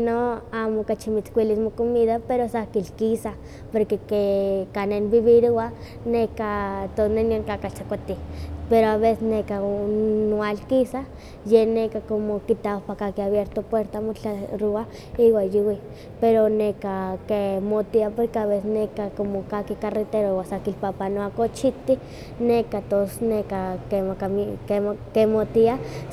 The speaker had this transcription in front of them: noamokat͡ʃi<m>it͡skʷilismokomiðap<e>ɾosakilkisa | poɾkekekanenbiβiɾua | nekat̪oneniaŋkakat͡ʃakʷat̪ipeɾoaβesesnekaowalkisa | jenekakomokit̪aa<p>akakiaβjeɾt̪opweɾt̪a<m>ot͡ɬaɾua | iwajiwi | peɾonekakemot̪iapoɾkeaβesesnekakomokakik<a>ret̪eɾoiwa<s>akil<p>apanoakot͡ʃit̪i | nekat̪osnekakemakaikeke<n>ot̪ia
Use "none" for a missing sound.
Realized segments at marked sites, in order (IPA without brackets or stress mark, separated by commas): m, e, p, m, a, s, p, m